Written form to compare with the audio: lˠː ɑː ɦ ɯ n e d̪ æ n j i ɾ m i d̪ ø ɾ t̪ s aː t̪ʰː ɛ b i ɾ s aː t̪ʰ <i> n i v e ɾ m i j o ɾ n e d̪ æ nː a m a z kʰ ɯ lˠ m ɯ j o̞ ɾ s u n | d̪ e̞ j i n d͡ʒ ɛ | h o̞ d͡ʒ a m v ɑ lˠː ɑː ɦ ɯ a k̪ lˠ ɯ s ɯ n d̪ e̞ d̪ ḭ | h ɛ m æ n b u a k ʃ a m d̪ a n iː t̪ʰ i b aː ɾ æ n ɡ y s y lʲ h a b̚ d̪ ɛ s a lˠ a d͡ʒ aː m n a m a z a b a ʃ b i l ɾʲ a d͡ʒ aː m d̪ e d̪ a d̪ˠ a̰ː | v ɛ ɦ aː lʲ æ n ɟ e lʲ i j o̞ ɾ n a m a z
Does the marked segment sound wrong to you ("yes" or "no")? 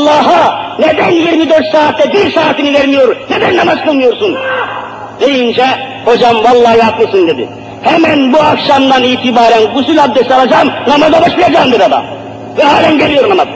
no